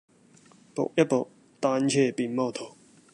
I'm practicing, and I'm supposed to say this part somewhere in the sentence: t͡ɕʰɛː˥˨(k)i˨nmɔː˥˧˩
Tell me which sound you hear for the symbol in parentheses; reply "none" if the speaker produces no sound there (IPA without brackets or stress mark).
p